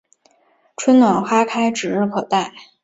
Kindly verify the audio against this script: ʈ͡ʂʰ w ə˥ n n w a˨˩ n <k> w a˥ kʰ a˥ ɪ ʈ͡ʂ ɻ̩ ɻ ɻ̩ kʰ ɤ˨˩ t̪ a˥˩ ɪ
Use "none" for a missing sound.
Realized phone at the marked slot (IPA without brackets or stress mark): x